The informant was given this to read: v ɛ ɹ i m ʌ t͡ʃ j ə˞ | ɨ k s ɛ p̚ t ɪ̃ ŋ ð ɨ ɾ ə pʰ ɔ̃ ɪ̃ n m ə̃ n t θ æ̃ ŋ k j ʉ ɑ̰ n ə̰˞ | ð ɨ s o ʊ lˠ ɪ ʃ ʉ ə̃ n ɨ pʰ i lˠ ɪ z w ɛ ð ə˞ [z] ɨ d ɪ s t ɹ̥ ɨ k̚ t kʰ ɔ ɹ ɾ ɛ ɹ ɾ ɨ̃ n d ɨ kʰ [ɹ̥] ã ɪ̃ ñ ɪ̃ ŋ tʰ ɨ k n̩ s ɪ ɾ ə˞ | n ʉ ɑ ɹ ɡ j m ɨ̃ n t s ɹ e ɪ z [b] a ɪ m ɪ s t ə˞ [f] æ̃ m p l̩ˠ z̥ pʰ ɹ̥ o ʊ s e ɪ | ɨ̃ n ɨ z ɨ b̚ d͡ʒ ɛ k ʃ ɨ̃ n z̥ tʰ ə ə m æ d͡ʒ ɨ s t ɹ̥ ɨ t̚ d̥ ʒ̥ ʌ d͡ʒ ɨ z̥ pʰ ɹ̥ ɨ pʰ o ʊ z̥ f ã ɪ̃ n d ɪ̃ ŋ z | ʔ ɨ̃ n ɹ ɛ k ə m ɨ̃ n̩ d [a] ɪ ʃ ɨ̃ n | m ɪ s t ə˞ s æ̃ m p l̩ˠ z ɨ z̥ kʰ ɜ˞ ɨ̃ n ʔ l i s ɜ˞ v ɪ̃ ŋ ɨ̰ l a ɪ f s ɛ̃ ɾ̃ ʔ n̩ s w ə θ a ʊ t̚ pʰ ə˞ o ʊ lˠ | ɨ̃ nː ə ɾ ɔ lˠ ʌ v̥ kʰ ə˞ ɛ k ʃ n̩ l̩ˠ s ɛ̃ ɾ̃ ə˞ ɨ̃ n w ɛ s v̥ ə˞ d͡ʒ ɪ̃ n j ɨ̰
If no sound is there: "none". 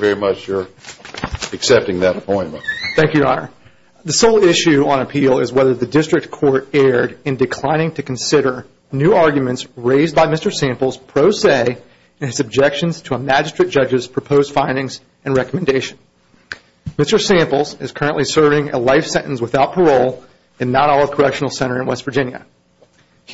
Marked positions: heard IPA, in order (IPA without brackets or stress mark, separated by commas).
ð, l̥, b, s, e